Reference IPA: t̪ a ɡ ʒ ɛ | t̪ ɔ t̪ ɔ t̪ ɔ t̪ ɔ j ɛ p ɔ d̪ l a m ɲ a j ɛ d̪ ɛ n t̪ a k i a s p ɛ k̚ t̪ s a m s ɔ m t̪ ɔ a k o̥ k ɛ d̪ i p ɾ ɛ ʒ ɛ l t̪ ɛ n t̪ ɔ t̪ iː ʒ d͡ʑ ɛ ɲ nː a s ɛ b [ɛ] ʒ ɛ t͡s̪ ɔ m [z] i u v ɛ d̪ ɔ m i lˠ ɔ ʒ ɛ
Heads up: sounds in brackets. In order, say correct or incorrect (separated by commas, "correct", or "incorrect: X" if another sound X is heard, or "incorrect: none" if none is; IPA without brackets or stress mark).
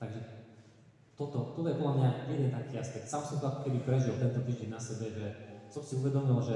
correct, incorrect: s